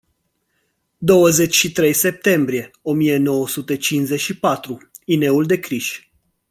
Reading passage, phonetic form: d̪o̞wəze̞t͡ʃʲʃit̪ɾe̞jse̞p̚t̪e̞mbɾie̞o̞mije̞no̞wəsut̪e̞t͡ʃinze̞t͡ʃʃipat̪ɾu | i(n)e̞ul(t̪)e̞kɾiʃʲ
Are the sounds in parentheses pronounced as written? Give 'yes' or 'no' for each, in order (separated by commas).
yes, no